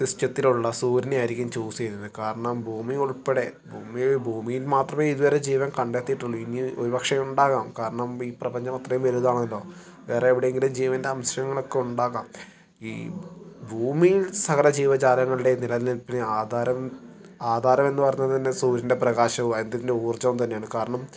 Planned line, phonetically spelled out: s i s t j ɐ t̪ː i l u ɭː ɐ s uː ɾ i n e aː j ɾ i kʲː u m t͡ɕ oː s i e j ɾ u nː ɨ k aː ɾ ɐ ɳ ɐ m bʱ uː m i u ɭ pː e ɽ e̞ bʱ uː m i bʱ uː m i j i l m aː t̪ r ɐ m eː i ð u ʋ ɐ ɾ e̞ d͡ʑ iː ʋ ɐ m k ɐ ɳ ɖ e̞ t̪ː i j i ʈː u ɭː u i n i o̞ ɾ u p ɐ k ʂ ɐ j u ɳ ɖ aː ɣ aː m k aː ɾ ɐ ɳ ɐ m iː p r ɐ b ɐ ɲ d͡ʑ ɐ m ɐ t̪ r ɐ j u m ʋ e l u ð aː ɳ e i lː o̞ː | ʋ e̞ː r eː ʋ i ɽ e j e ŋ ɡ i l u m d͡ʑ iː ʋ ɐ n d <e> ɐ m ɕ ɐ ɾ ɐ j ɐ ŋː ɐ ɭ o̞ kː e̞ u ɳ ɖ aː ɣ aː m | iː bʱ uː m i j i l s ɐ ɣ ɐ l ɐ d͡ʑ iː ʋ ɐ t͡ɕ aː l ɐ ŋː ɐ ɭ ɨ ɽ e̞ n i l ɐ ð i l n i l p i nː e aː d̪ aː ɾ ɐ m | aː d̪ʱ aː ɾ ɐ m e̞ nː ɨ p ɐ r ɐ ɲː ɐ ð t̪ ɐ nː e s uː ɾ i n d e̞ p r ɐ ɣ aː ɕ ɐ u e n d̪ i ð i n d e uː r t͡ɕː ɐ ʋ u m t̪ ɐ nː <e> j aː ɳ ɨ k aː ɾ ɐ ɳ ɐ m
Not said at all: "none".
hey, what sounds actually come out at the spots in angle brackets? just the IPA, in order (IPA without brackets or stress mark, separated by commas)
e, e